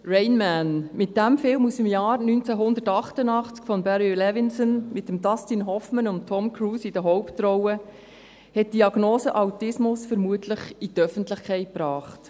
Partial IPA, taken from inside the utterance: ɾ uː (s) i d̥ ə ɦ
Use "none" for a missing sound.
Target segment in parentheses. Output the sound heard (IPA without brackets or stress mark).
s